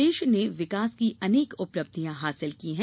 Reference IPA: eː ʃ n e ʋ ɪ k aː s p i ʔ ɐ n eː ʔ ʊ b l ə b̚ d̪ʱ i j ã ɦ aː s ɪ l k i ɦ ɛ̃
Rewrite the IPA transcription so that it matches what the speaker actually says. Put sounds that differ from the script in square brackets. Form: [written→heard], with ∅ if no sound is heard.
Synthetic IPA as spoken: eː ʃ n e ʋ ɪ k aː s [p→k] i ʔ ɐ n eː [ʔ→k] ʊ [b→p] l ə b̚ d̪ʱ i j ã ɦ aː s ɪ l k i ɦ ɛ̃